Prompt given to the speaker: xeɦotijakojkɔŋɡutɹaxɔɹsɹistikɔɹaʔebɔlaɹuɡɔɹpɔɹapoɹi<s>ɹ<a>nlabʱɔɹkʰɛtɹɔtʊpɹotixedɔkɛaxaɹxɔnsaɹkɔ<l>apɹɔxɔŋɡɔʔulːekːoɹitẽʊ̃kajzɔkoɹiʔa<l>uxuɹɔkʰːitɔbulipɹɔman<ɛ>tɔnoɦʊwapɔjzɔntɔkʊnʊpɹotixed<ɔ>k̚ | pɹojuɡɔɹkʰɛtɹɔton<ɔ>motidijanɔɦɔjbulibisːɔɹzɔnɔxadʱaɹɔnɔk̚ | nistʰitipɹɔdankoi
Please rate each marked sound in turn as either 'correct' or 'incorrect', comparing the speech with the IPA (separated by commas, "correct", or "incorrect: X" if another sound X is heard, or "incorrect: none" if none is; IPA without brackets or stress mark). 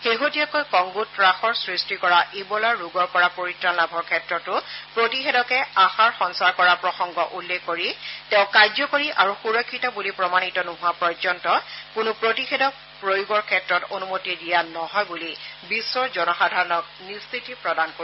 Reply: incorrect: t, correct, incorrect: ɹ, incorrect: ɹ, incorrect: i, correct, incorrect: u